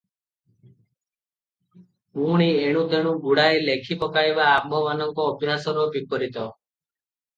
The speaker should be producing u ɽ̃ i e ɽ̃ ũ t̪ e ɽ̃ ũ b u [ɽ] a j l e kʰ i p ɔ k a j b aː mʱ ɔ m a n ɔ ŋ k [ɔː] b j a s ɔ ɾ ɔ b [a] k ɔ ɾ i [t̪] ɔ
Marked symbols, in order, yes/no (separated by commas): yes, yes, no, yes